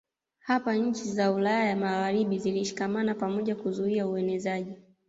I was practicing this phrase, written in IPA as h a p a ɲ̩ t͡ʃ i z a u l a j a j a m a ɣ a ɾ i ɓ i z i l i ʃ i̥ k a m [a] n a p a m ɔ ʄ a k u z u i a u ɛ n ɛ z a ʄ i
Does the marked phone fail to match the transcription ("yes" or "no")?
no